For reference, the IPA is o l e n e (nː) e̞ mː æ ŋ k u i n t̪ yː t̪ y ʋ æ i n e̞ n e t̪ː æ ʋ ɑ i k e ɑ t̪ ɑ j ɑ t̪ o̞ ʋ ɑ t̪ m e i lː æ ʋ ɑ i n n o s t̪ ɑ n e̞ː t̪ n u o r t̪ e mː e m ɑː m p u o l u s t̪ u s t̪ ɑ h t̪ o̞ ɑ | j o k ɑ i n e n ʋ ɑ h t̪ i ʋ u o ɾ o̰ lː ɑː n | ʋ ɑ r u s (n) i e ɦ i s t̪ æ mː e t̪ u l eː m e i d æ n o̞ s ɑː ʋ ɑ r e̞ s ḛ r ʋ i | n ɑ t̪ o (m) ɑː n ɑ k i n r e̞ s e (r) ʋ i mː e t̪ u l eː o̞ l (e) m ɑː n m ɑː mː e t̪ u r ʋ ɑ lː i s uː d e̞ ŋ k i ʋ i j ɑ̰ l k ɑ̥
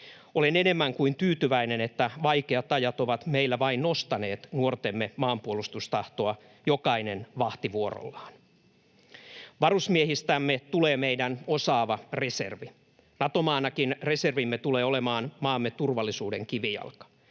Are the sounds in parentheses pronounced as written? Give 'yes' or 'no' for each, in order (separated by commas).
no, no, yes, yes, yes